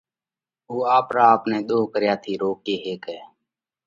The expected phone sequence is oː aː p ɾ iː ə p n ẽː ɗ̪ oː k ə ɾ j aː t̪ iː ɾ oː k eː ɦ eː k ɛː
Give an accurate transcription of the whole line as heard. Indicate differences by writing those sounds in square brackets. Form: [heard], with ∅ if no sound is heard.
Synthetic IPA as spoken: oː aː p ɾ [aː] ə p n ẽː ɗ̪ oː k ə ɾ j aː [t̪ʰ] iː ɾ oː k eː ɦ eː k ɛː